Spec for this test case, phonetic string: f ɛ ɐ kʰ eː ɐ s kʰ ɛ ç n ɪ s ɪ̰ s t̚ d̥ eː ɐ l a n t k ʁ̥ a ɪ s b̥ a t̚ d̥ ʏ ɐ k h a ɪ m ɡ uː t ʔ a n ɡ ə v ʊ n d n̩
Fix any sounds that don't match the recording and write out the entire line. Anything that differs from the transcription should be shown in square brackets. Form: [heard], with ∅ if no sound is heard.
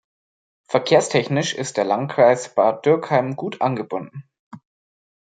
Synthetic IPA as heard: f ɛ ɐ kʰ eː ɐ s [tʰ] ɛ ç n ɪ [ʃ] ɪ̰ s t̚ d̥ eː ɐ l a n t k ʁ̥ a ɪ s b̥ a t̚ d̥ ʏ ɐ k h a ɪ m ɡ uː t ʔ a n ɡ ə [b] ʊ n d n̩